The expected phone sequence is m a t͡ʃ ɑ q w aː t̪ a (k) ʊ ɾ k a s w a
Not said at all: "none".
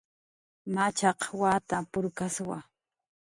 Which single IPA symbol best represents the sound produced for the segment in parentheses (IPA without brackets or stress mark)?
p